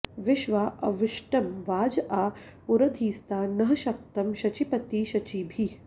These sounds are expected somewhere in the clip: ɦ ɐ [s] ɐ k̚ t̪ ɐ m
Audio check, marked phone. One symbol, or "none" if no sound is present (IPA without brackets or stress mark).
ʃ